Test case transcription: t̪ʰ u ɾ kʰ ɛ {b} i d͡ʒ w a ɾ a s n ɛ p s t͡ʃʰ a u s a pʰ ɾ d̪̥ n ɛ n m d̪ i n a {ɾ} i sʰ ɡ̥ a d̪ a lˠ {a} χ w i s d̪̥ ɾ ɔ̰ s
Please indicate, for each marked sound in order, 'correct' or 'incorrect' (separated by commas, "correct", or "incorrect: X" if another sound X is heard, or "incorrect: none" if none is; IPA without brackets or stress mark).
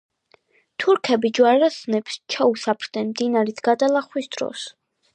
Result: correct, correct, correct